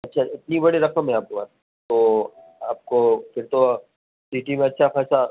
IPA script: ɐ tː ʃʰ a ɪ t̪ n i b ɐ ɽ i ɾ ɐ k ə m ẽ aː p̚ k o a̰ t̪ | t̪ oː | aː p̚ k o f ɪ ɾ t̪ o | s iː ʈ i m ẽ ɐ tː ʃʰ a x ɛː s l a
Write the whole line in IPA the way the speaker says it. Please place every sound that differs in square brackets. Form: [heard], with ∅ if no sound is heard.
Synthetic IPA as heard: ɐ tː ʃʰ a ɪ t̪ n i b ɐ ɽ i ɾ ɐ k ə m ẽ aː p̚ k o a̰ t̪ | t̪ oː | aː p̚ k o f ɪ ɾ t̪ o | s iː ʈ i m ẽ ɐ tː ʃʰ a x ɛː s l a